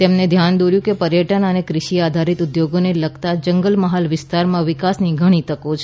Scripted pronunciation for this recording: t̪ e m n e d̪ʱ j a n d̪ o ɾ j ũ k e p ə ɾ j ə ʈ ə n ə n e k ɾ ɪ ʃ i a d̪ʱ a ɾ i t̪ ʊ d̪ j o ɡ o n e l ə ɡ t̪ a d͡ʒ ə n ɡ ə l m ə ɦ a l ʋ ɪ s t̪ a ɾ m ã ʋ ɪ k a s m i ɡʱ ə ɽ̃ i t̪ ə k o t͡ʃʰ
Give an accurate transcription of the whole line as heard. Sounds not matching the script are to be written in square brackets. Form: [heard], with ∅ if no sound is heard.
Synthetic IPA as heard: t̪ e m n e d̪ʱ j a n d̪ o ɾ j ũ k e p ə ɾ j ə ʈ ə n ə n e k ɾ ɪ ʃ i a d̪ʱ a ɾ i t̪ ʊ d̪ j o ɡ o n e l ə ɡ t̪ a d͡ʒ ə [ŋ] ɡ ə l m ə ɦ a l ʋ ɪ s t̪ a ɾ m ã ʋ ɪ k a s [n] i ɡʱ ə ɽ̃ i t̪ ə k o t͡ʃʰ